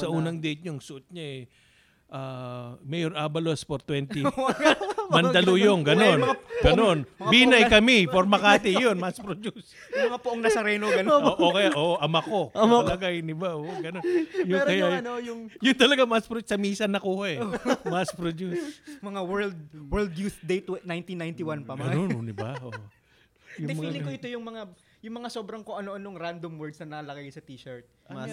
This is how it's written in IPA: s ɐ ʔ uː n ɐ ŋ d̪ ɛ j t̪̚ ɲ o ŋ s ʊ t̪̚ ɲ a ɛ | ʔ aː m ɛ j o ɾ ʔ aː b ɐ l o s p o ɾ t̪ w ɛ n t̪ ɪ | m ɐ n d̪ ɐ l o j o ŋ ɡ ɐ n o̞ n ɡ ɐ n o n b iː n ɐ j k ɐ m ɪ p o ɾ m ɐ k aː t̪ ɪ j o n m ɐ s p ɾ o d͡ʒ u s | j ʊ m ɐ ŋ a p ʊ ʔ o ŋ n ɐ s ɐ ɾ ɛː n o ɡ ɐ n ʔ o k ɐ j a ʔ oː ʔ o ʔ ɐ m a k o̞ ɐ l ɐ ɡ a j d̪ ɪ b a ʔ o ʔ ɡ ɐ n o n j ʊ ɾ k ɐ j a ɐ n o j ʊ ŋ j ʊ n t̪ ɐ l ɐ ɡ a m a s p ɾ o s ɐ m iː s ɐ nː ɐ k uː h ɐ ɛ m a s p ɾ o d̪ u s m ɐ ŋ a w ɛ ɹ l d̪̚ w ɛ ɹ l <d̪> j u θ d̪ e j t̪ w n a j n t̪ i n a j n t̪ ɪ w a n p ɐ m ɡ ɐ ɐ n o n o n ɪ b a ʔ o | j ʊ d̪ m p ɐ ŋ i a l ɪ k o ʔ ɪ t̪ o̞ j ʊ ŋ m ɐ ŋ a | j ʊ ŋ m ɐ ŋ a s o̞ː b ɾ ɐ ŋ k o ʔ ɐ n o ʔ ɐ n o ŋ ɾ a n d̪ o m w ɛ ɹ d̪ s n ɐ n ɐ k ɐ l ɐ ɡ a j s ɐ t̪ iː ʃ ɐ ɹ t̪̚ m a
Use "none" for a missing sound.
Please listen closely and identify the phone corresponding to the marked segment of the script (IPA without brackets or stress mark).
d̪